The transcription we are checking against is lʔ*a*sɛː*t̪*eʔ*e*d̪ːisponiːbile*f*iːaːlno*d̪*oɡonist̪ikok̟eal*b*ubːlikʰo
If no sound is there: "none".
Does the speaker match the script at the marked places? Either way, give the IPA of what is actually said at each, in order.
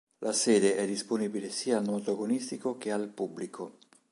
a, d̪, ɛ, s, t̪, p

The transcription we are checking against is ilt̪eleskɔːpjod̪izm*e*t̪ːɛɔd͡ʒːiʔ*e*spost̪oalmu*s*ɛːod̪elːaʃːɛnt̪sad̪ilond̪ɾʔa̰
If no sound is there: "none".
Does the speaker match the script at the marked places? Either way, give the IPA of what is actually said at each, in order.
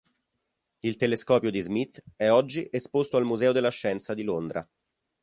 i, e, z

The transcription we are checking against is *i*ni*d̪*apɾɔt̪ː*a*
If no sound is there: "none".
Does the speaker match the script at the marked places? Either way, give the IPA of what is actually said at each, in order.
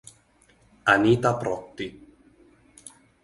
a, t̪, i

